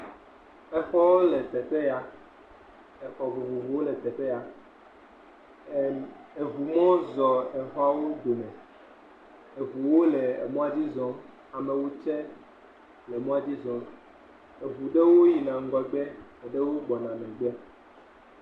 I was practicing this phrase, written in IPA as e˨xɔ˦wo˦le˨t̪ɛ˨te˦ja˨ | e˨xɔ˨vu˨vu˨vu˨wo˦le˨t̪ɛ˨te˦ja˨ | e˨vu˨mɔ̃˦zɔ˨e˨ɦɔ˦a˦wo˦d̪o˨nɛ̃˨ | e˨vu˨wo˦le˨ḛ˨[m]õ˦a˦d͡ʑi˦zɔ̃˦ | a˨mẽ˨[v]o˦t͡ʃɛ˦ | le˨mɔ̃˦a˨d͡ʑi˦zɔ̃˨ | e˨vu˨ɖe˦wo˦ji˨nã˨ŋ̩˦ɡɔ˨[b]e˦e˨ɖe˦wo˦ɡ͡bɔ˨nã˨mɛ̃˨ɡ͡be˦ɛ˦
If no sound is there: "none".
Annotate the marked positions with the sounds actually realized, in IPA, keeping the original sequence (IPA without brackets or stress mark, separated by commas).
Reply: m, w, ɡ͡b